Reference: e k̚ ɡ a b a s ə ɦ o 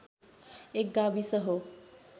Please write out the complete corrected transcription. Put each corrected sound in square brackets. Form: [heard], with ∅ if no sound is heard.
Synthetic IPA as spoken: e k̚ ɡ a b [i] s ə ɦ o